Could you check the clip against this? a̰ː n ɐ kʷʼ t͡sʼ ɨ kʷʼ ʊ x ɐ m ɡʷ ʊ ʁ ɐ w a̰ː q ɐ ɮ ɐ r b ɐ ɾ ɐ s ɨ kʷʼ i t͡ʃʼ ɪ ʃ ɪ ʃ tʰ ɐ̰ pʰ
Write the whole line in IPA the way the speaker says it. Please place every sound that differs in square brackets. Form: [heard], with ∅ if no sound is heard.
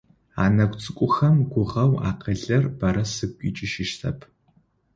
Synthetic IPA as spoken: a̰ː n ɐ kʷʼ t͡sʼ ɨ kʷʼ ʊ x ɐ m ɡʷ ʊ ʁ ɐ w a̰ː q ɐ ɮ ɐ r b ɐ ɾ ɐ s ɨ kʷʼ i t͡ʃʼ ɪ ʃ ɪ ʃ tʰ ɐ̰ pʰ